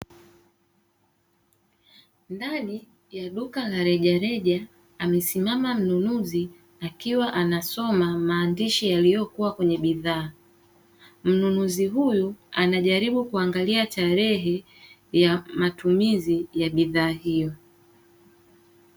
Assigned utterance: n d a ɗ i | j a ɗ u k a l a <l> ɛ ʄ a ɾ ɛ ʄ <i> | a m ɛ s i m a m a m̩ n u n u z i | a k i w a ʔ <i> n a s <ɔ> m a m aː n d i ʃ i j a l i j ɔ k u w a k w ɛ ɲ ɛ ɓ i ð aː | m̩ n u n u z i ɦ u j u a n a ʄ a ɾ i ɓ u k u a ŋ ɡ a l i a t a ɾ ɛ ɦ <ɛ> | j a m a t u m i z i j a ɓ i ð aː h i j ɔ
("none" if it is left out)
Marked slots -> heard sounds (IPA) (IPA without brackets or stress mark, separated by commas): ɾ, a, a, ɔ, ɛ